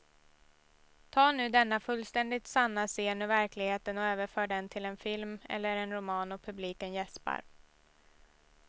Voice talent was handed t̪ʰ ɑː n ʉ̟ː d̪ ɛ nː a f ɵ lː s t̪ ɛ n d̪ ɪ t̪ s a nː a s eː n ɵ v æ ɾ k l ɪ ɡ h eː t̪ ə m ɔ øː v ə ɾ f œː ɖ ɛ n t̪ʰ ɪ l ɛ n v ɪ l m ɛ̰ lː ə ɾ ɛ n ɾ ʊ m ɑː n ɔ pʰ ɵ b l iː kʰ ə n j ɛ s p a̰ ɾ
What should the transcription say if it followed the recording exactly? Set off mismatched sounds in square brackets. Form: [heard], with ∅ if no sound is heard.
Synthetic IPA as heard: t̪ʰ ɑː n ʉ̟ː d̪ ɛ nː a f ɵ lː s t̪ ɛ n d̪ ɪ t̪ s a nː a s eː n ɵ v æ ɾ k l ɪ ɡ h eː t̪ ə [n] ɔ øː v ə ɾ f œː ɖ ɛ n t̪ʰ ɪ l ɛ n [f] ɪ l m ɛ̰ lː ə ɾ ɛ n ɾ ʊ m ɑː n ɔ pʰ ɵ b l iː [k] ə n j ɛ s p a̰ ɾ